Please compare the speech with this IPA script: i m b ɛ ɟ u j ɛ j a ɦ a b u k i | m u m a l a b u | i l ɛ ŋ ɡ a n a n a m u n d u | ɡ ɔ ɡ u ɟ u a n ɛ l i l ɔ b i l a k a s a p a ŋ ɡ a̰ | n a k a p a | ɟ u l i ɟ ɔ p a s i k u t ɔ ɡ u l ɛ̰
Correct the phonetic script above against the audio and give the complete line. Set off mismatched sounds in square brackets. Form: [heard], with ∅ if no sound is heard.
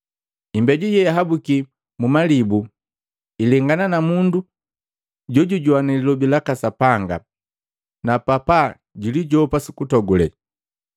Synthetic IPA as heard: i m b ɛ ɟ u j ɛ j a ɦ a b u k i | m u m a l [i] b u | i l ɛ ŋ ɡ a n a n a m u n d u | [ɟ] ɔ [ɟ] u ɟ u a n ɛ l i l ɔ b i l a k a s a p a ŋ ɡ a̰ | n a [p] a p a | ɟ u l i ɟ ɔ p a s i k u t ɔ ɡ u l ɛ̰